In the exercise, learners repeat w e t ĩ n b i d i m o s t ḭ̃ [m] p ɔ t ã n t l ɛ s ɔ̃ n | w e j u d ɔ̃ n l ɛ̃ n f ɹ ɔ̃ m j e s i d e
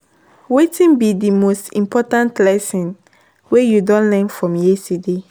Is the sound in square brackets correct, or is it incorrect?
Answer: correct